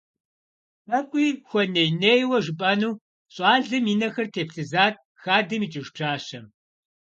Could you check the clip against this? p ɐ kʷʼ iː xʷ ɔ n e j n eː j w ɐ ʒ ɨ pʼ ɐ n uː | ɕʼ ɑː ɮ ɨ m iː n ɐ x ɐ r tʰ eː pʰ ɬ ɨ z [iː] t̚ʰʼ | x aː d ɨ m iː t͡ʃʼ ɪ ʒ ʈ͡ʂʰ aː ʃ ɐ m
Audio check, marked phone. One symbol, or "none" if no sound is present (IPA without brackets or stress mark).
aː